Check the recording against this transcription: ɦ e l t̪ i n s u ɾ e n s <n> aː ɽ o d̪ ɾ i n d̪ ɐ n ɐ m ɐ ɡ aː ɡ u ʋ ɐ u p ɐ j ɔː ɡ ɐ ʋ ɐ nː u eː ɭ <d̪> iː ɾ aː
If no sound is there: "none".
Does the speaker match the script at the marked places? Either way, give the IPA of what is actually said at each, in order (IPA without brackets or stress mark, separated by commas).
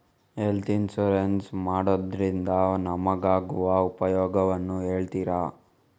m, t̪